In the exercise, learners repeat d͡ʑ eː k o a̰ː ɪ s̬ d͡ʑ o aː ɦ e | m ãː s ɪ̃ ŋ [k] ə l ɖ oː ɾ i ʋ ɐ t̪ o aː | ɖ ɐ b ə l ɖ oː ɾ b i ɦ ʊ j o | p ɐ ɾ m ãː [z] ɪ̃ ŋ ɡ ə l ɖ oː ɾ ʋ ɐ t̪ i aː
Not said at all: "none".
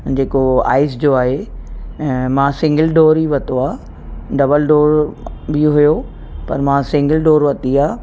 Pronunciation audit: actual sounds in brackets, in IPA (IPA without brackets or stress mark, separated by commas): ɡ, s